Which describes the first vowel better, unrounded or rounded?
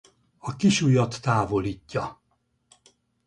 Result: rounded